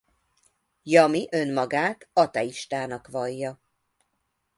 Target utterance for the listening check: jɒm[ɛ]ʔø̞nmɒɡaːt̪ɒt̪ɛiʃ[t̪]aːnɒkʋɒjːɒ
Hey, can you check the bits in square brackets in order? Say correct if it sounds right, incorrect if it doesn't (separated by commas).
incorrect, correct